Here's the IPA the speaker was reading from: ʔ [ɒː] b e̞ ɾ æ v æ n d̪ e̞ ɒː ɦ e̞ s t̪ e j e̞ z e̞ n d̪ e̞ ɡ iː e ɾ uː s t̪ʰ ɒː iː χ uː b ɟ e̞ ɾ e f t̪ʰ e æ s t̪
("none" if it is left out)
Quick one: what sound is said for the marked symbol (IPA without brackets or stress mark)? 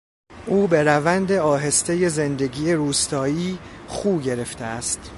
uː